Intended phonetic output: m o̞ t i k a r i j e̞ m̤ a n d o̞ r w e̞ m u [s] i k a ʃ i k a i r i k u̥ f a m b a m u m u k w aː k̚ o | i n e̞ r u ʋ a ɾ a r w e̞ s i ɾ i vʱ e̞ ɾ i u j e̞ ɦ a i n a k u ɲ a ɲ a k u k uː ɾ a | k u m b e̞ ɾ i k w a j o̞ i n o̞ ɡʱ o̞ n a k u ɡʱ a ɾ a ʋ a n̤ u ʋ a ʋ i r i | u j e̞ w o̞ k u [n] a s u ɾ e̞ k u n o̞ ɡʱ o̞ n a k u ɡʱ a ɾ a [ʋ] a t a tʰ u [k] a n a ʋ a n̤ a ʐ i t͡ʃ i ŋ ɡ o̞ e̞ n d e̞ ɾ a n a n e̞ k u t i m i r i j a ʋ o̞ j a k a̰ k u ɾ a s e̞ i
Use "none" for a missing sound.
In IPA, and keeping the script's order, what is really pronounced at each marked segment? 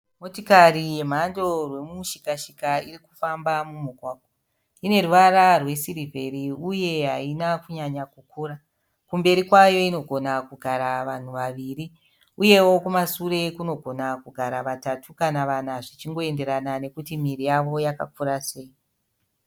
ʃ, m, ʋ, k

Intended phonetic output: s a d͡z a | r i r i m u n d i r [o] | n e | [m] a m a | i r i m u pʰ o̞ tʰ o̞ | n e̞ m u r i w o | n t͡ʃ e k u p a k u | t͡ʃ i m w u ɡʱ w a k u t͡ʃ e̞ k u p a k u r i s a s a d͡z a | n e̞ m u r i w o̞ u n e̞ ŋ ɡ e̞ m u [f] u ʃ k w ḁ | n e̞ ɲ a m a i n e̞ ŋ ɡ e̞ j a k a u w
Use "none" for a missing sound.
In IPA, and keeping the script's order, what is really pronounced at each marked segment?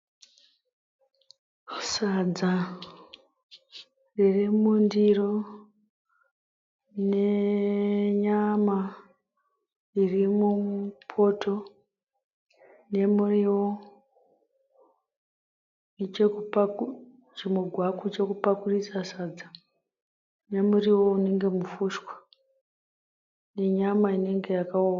o, ɲ, f

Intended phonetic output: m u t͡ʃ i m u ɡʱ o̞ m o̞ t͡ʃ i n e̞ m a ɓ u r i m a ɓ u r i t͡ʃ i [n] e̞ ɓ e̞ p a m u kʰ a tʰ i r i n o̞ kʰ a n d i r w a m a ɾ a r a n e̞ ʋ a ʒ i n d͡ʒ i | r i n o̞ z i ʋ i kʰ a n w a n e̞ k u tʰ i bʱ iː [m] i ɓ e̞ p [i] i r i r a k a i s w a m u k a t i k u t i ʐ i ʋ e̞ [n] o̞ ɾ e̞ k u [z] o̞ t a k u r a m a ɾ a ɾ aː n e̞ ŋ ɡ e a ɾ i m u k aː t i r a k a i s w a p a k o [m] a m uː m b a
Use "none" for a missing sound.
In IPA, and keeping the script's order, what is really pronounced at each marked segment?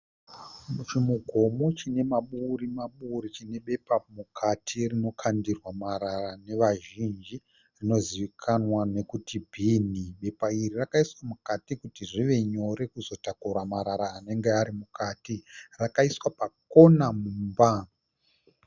n, n, a, ɲ, z, n

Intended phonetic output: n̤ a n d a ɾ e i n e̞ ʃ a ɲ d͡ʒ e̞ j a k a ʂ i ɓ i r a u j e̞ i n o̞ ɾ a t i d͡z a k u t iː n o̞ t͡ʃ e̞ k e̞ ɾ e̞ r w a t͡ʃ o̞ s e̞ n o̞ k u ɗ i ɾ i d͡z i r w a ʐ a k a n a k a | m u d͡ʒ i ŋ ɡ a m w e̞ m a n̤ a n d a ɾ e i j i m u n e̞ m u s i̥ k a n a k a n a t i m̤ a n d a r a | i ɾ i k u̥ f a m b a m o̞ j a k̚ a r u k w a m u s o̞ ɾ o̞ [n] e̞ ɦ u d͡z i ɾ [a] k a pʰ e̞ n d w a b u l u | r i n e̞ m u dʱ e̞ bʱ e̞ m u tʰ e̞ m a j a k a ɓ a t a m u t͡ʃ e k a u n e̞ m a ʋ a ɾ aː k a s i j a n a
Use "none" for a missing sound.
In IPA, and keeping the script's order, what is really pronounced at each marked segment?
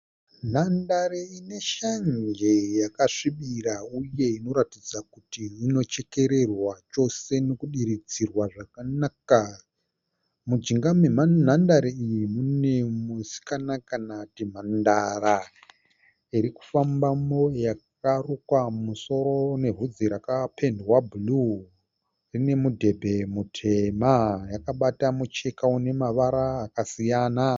n, a

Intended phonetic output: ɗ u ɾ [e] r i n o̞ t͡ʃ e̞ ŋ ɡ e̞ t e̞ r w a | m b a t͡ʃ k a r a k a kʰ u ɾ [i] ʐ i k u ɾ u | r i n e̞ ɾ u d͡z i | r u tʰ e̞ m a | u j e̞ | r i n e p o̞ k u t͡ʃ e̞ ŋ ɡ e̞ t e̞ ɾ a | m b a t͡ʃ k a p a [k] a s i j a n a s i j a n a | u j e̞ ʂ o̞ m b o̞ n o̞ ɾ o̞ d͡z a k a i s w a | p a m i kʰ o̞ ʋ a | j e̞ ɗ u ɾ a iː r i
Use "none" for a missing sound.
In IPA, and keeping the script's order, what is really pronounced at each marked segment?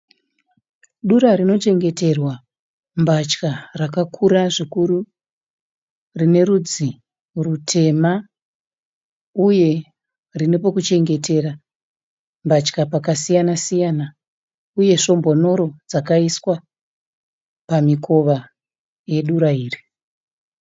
a, a, k

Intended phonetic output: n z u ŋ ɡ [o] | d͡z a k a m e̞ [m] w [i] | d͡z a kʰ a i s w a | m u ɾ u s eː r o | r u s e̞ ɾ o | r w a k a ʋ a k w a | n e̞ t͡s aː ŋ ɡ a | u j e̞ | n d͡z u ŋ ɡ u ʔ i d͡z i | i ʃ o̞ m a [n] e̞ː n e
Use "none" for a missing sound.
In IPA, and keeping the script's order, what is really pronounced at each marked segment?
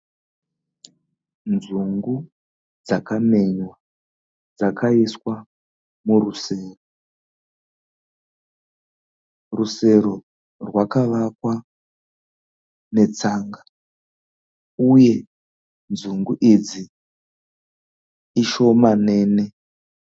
u, ɲ, a, n

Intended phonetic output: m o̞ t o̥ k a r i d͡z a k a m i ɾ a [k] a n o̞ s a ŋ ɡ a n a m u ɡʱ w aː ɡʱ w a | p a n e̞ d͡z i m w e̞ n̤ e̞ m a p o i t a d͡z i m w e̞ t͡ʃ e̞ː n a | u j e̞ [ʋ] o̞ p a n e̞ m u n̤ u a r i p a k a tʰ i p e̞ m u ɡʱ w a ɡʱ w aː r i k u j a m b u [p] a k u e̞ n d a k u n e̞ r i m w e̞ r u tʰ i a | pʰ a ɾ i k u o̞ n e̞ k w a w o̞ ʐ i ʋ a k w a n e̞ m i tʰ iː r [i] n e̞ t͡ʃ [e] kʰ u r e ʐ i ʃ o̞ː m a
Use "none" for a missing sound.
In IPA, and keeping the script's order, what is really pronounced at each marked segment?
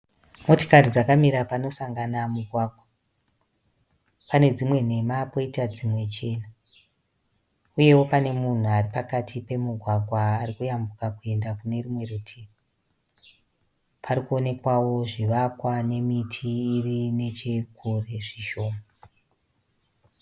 p, w, k, i, e

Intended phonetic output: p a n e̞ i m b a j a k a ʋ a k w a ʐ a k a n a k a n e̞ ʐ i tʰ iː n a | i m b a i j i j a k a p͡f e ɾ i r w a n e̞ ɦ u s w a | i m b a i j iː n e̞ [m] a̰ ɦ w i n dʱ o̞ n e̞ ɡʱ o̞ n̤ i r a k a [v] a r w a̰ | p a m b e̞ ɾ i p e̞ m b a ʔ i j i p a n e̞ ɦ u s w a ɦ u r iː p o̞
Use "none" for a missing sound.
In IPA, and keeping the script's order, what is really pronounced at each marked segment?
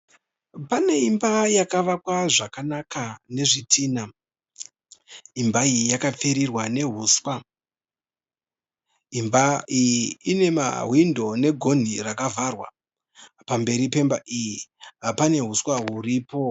m, v

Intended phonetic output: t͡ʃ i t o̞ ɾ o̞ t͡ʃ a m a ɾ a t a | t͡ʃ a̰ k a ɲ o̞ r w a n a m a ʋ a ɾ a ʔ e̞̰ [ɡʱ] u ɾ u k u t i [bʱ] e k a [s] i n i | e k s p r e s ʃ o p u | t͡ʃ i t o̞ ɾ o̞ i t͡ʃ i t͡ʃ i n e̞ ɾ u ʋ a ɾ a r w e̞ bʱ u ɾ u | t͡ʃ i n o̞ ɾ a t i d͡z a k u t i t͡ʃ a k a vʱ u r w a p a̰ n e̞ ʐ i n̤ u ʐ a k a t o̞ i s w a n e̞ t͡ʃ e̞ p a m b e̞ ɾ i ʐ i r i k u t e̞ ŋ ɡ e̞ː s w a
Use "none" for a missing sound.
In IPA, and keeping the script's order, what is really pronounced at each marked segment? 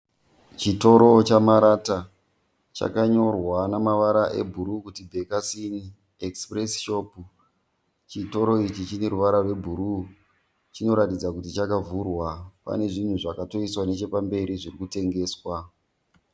bʱ, bʱ, s

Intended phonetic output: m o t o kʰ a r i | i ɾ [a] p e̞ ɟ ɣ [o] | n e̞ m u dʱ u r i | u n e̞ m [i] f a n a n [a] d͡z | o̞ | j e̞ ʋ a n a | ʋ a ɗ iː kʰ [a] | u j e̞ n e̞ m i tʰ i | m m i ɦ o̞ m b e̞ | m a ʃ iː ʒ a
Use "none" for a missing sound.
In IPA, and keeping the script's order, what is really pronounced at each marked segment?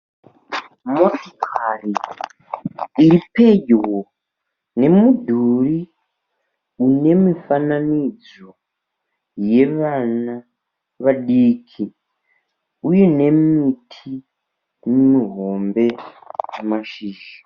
i, o, i, i, i

